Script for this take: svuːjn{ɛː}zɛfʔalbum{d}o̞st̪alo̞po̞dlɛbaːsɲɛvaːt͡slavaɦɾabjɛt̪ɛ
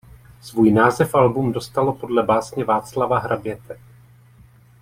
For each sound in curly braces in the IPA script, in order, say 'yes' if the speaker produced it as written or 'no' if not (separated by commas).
no, yes